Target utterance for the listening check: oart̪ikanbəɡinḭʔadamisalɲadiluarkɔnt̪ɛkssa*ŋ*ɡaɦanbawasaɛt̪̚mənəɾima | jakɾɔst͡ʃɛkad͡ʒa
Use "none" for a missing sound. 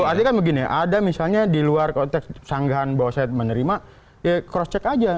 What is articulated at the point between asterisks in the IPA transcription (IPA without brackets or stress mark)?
ŋ